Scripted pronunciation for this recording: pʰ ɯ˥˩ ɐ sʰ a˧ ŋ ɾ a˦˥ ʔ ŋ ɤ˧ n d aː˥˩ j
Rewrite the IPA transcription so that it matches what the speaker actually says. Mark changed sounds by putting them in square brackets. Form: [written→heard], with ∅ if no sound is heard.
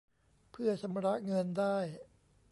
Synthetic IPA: pʰ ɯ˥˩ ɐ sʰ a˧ [ŋ→m] ɾ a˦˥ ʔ ŋ ɤ˧ n d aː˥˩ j

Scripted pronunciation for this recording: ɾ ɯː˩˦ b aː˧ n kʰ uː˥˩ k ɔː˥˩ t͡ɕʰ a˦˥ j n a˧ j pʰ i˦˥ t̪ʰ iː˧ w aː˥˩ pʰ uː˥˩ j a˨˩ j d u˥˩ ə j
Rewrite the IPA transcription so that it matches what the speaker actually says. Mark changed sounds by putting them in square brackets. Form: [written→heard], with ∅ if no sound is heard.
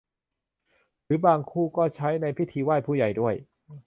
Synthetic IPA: ɾ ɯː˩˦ b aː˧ [n→ŋ] kʰ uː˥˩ k ɔː˥˩ t͡ɕʰ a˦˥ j n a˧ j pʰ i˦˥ t̪ʰ iː˧ w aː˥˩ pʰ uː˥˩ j a˨˩ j d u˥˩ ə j

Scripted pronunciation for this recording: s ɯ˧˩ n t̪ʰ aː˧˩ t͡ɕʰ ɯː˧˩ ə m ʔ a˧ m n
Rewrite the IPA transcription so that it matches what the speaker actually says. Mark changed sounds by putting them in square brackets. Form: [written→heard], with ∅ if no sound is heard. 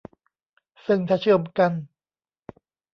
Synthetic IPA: s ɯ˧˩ [n→ŋ] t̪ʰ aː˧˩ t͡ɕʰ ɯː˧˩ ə m [ʔ→k] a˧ [m→∅] n

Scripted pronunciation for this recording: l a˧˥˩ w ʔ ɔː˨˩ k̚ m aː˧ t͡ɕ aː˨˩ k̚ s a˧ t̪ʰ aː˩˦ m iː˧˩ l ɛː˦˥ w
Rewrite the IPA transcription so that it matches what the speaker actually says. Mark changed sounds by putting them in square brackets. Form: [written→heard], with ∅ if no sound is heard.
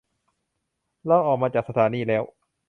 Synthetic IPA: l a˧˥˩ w ʔ ɔː˨˩ k̚ m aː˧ t͡ɕ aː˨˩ k̚ s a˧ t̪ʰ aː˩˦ [m→n] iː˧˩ l ɛː˦˥ w

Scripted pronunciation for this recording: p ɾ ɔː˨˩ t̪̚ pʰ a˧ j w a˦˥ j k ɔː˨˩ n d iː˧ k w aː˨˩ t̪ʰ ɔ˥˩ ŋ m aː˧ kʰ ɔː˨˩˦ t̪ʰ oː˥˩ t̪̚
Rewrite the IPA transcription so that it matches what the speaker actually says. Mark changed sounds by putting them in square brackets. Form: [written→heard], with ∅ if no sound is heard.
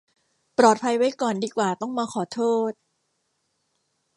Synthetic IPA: p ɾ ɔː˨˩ t̪̚ pʰ a˧ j w a˦˥ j k ɔː˨˩ n d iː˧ k w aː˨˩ [t̪ʰ→t̪] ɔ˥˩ ŋ m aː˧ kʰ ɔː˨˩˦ t̪ʰ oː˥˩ t̪̚

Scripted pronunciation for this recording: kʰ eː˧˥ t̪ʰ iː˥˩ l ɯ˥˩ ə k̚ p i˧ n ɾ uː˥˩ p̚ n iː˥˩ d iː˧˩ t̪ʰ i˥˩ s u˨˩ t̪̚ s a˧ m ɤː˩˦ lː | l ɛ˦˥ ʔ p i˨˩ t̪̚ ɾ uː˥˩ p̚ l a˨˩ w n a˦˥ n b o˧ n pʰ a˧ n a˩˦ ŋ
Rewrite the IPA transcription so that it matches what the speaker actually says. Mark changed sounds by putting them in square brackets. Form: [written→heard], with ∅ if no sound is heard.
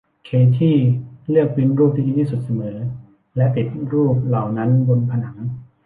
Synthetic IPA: kʰ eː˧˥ t̪ʰ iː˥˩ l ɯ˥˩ ə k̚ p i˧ n ɾ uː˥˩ p̚ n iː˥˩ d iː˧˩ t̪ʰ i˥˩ s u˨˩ t̪̚ s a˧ m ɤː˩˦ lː | l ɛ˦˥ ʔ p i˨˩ t̪̚ ɾ uː˥˩ p̚ l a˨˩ w n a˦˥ n b o˧ n pʰ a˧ n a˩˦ ŋ

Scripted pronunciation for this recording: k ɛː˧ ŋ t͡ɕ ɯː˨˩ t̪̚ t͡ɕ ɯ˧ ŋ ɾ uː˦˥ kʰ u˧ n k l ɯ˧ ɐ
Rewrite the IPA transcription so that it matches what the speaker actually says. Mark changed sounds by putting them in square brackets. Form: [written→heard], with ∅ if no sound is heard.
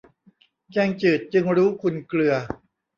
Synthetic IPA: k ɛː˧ ŋ t͡ɕ ɯː˨˩ t̪̚ t͡ɕ ɯ˧ ŋ ɾ uː˦˥ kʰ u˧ n k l ɯ˧ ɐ

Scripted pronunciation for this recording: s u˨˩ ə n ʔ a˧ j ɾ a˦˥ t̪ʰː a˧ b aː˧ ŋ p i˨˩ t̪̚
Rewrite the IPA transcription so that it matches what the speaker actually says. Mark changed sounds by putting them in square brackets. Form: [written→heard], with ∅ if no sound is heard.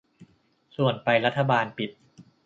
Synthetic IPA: s u˨˩ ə n [ʔ→p] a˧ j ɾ a˦˥ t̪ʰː a˧ b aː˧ [ŋ→n] p i˨˩ t̪̚

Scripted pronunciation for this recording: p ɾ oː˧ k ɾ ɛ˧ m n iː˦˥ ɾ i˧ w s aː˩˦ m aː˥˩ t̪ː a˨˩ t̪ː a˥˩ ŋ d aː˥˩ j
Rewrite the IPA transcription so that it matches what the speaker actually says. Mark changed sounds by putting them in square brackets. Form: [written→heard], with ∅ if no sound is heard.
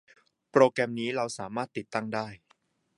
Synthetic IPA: p ɾ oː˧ k ɾ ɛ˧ m n iː˦˥ ɾ [i˧→a˧] w s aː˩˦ m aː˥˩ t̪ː [a˨˩→i˨˩] t̪ː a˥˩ ŋ d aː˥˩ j

